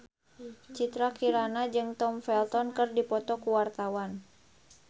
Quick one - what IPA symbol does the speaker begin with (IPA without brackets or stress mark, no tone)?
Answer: t͡ʃ